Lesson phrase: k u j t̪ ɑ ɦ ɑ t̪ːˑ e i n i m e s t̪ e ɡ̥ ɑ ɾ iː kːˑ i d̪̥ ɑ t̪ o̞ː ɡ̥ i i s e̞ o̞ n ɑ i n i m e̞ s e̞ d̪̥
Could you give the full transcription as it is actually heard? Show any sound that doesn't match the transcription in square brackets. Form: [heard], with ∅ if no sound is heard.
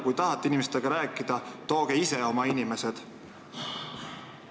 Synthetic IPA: k u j t̪ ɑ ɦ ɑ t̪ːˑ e i n i m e s t̪ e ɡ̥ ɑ ɾ [æː] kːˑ i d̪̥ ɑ t̪ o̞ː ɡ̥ [e] i s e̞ o̞ [m] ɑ i n i m e̞ s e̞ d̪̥

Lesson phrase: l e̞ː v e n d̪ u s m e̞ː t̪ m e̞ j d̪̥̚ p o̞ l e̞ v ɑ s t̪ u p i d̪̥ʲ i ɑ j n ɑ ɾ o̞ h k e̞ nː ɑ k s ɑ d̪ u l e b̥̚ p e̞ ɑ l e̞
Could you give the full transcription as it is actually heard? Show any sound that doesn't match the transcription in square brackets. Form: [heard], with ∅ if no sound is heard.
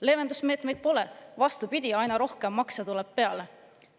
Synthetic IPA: l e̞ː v e n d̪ u s m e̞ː t̪ m e̞ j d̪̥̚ p o̞ l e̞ v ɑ s t̪ u p i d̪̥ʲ i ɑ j n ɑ ɾ o̞ h k e̞ [mː] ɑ k s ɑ [t̪] u l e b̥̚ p e̞ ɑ l e̞

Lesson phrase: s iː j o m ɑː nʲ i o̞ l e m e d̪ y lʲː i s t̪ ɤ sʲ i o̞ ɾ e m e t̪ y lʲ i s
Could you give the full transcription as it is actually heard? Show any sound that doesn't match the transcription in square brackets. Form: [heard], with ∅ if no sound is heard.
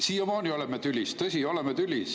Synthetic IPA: s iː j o m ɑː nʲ i o̞ l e m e [t̪] y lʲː i s t̪ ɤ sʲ i o̞ [l] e m e t̪ y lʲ i s

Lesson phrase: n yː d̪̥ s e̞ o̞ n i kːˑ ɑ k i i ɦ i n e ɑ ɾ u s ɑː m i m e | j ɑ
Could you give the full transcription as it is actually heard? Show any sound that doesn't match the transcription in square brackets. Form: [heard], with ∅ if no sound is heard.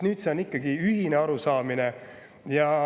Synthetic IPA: n yː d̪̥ s e̞ o̞ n i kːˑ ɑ [ɡ] i [y] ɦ i n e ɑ ɾ u s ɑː m i [n] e | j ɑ

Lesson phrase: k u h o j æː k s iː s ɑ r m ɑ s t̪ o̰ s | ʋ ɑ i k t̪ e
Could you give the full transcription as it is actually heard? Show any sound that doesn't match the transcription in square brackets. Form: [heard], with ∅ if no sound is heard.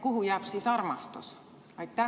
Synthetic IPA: k u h [u] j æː [p] s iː s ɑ r m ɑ s t̪ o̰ s | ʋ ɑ i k t̪ [æ]

